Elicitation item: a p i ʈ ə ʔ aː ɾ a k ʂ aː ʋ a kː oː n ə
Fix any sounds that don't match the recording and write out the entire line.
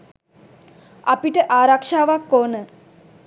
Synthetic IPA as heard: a p i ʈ ə ʔ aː ɾ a k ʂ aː ʋ a kː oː n ə